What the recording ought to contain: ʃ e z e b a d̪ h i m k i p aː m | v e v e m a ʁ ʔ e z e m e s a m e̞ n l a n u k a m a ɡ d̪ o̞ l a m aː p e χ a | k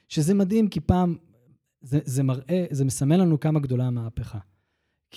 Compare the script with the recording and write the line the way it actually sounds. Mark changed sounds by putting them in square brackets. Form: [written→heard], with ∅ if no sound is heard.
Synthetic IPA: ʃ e z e [b→m] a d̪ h i m k i p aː m | [v→z] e [v→z] e m a ʁ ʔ e z e m e s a m e̞ n l a n u k a m a ɡ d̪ o̞ l a m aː p e χ a | k